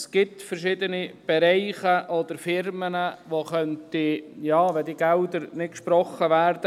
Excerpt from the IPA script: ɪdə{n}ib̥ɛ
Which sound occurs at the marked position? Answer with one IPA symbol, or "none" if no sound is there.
n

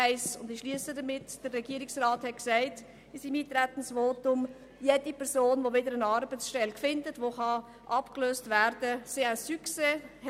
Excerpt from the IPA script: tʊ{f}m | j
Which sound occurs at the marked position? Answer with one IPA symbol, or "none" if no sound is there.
none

